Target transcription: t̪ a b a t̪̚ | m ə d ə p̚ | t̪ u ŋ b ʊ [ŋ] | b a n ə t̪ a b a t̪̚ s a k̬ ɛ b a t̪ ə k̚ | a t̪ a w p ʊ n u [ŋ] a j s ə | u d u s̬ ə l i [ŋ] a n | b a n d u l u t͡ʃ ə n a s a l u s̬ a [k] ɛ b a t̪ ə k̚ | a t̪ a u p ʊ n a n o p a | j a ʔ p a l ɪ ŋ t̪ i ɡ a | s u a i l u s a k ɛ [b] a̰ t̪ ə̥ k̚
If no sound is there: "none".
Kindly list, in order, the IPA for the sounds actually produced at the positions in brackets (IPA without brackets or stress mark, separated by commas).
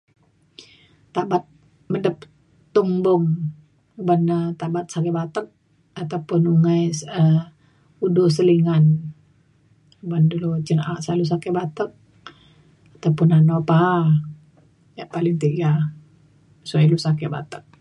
ŋ, ŋ, ŋ, k, b